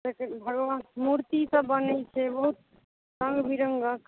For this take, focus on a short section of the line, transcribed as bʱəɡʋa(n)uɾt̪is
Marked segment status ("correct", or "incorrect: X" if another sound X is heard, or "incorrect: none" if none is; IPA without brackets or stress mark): incorrect: m